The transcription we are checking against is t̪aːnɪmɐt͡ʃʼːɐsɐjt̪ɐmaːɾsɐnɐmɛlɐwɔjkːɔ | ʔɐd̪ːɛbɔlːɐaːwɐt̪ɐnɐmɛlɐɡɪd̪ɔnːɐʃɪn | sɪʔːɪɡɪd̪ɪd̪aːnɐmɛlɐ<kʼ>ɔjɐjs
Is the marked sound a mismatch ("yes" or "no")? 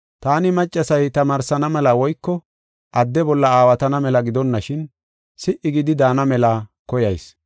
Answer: yes